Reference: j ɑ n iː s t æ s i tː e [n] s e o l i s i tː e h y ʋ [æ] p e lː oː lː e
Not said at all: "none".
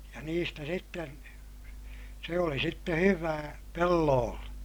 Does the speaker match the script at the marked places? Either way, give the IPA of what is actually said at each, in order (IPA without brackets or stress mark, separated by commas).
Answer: n, æː